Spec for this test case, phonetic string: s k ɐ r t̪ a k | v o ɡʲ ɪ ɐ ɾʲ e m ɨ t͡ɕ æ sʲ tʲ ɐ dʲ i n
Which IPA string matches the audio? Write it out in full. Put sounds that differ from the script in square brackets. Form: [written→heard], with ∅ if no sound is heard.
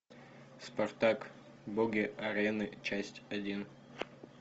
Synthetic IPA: s [k→p] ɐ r t̪ a k | [v→b] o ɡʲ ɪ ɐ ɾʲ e [m→n] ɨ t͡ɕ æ sʲ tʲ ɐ dʲ i n